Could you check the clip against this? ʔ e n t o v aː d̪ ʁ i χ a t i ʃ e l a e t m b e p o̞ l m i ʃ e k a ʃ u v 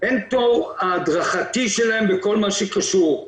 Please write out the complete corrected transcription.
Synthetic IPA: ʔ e n t o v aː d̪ ʁ a χ a t i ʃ e l a e m b e k o̞ l m a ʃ e k a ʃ u ʁ